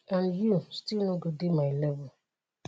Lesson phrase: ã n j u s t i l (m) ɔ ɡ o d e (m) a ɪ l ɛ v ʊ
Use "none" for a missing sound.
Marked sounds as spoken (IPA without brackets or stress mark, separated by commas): n, m